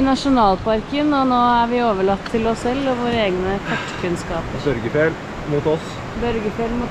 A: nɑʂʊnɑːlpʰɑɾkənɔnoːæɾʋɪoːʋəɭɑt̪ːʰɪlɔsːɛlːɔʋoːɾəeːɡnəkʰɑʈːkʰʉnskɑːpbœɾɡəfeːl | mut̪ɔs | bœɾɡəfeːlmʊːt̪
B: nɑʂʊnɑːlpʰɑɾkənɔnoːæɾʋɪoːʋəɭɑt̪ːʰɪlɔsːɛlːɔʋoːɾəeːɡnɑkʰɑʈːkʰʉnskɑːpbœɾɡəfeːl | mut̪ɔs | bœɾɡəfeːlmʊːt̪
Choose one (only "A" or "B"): A